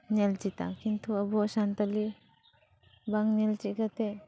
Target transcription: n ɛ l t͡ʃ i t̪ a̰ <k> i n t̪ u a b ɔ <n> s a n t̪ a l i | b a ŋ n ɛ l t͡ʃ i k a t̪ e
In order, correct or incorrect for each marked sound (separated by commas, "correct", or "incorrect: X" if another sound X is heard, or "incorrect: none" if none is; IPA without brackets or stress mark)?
correct, incorrect: none